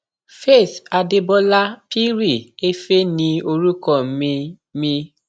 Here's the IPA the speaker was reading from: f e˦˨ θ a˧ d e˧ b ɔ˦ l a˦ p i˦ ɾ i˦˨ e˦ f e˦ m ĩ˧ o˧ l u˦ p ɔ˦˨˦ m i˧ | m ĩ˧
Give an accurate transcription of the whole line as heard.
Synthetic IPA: f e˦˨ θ a˧ d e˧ b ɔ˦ l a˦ p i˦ ɾ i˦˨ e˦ f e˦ n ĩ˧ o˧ ɾ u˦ k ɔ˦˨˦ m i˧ | m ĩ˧